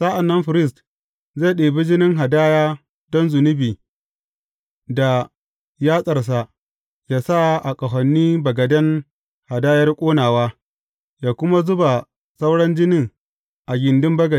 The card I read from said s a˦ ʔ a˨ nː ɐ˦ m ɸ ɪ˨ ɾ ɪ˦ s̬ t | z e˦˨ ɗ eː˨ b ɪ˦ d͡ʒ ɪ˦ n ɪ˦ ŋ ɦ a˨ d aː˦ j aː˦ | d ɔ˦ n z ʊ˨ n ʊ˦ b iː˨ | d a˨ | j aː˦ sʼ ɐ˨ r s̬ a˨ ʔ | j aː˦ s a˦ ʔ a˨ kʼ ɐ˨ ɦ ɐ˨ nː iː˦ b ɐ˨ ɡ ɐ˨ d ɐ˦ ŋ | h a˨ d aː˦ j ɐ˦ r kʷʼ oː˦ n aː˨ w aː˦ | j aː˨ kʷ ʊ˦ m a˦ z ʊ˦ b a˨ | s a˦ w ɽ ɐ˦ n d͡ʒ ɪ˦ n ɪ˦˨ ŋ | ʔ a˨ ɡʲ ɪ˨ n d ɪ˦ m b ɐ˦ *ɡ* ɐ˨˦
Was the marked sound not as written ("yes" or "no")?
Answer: no